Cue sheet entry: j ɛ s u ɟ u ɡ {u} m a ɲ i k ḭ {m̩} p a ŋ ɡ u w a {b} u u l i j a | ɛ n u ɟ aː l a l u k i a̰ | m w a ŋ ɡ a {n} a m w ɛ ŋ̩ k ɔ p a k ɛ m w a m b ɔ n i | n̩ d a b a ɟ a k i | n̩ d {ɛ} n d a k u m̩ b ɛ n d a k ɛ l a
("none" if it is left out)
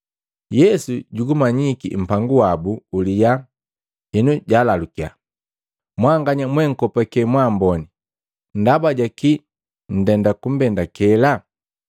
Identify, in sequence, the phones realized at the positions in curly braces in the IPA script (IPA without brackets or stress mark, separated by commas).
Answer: u, m̩, b, ɲ, ɛ